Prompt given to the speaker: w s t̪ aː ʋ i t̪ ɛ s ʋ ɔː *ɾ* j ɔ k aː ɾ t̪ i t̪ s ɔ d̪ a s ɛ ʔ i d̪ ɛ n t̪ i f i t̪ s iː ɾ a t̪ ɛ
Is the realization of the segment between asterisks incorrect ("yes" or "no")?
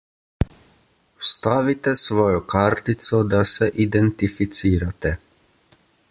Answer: yes